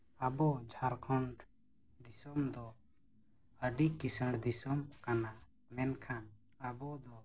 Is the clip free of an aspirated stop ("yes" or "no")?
no